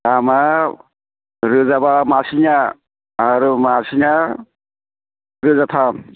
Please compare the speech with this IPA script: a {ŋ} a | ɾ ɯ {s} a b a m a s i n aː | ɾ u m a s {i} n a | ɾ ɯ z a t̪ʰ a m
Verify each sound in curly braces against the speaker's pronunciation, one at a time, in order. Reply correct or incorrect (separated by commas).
incorrect, incorrect, correct